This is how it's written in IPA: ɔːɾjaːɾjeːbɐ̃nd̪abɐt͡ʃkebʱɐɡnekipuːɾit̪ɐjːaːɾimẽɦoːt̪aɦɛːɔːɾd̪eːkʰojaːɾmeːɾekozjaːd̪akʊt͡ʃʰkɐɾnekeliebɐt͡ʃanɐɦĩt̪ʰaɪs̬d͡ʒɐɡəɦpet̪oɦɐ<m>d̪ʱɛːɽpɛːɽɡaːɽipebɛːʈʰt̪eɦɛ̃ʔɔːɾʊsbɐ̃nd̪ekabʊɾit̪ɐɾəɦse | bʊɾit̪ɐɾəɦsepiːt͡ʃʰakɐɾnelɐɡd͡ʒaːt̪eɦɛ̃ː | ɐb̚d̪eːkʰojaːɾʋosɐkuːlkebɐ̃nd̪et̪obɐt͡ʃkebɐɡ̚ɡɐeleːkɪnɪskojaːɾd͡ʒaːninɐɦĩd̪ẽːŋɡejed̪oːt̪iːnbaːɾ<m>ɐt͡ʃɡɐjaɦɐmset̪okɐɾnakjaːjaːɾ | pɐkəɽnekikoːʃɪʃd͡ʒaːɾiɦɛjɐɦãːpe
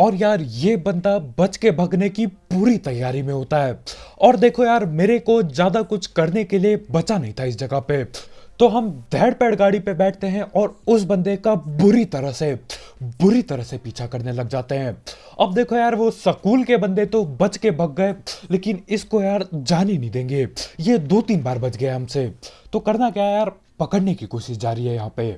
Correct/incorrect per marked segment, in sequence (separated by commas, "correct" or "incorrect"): correct, incorrect